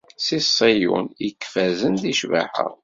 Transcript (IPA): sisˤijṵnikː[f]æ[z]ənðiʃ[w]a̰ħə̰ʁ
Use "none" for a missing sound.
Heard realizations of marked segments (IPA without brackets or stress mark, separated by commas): f, z, v